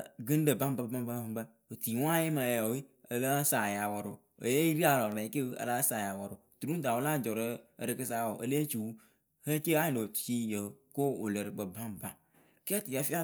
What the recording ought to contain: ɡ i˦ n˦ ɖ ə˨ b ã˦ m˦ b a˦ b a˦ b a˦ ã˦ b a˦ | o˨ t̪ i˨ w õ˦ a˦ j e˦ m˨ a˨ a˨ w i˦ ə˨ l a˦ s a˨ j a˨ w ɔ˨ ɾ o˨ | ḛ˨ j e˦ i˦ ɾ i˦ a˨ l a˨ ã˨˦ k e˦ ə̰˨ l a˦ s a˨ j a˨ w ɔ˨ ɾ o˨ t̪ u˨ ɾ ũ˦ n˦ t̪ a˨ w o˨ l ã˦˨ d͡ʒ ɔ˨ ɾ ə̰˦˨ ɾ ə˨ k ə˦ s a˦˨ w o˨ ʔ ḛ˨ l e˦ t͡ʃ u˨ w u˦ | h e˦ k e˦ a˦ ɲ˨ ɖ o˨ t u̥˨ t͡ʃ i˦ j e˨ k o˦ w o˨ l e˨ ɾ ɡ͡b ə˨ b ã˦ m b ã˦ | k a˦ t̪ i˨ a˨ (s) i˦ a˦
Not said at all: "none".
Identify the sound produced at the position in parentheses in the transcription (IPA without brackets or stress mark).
f